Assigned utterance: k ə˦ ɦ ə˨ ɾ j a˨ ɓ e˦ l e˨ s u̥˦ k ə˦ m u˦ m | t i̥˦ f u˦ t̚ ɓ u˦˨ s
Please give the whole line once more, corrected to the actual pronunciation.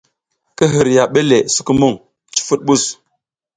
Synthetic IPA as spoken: k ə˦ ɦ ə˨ ɾ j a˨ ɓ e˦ l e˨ s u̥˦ k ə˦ m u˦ ŋ | t͡ʃ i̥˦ f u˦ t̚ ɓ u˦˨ s